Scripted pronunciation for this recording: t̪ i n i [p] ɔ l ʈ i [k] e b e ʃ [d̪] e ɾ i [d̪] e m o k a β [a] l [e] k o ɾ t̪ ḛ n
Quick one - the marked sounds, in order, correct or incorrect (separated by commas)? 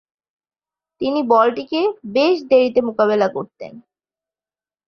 incorrect, correct, correct, incorrect, incorrect, incorrect